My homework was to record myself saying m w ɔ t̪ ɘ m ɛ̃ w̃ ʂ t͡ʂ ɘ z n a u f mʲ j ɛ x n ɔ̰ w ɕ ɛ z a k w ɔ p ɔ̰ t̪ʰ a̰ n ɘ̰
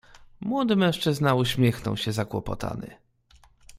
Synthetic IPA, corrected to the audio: m w ɔ d̪ ɘ m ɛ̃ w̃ ʂ t͡ʂ ɘ z n a u ɕ mʲ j ɛ x n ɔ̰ w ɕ ɛ z a k w ɔ p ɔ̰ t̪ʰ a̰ n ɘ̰